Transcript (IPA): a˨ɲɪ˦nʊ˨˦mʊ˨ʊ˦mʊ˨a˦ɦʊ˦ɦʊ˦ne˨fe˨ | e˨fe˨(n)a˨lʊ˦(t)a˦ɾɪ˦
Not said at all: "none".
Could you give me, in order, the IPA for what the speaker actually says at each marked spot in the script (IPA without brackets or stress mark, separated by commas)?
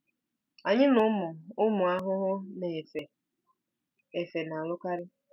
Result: n, k